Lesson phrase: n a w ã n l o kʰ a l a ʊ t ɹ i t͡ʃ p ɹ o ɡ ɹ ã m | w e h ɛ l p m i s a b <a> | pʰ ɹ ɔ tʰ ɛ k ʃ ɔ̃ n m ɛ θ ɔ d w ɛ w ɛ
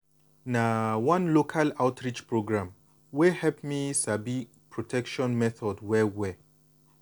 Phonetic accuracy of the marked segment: incorrect: i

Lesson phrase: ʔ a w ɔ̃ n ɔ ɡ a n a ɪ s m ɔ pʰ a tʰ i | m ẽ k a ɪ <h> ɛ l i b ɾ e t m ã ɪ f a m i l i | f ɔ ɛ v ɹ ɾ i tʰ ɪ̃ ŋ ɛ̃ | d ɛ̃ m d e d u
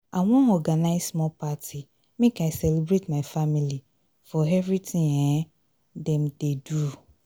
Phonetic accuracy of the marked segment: incorrect: s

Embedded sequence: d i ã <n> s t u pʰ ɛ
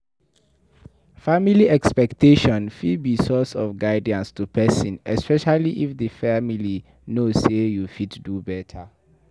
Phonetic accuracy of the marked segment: correct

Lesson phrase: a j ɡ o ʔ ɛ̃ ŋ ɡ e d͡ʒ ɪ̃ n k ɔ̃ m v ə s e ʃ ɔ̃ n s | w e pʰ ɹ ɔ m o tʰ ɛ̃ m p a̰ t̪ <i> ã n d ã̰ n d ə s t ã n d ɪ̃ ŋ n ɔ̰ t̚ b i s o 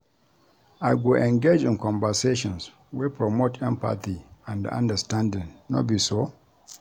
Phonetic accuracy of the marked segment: correct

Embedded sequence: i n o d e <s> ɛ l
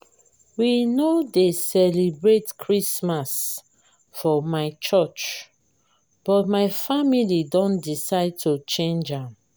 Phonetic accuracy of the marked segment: correct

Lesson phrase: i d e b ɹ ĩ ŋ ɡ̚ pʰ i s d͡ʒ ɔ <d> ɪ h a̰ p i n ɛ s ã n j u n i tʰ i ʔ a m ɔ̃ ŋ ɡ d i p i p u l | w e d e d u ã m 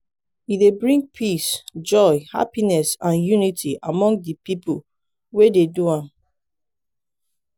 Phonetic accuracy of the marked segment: incorrect: none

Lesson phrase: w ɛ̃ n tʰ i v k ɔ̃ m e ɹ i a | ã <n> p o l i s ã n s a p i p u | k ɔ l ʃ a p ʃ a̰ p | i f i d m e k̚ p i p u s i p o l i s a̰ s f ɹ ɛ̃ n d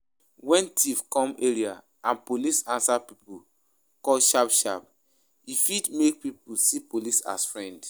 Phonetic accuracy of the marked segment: correct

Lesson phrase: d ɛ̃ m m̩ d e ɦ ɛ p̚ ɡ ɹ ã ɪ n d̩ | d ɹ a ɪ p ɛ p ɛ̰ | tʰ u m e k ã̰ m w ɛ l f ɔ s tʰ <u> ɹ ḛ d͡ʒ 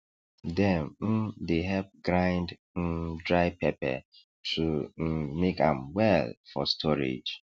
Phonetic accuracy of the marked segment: incorrect: ɔ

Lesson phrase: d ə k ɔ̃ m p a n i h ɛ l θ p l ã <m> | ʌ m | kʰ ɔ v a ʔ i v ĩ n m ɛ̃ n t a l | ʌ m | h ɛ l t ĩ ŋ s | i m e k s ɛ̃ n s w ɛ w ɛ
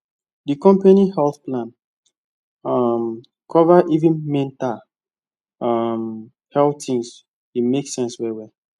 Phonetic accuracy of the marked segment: incorrect: n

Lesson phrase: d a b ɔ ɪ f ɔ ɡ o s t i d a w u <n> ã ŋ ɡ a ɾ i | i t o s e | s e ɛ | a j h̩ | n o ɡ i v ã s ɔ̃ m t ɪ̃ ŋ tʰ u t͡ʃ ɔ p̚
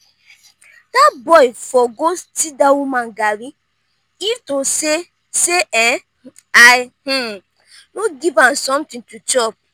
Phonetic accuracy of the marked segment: incorrect: m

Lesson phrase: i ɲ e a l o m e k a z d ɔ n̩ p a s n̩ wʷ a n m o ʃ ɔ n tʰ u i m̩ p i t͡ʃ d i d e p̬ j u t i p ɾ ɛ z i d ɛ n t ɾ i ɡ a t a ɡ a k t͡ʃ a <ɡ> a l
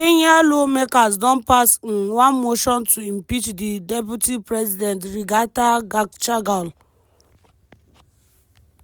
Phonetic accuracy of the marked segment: correct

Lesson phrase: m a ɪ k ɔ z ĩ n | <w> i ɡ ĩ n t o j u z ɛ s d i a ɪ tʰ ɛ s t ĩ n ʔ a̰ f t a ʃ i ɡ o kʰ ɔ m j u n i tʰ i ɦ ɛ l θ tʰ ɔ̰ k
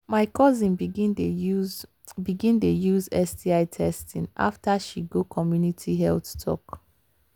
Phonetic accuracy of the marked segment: incorrect: b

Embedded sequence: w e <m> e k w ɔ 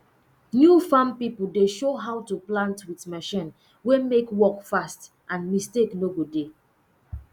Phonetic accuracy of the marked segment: correct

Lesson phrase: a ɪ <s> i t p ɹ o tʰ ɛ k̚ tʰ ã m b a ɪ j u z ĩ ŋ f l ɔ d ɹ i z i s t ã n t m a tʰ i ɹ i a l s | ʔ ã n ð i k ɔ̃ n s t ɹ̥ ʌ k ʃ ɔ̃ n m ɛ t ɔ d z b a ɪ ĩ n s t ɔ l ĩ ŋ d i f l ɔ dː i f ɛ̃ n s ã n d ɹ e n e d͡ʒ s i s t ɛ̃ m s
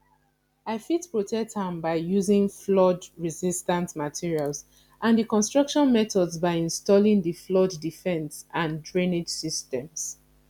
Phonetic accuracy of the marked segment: incorrect: f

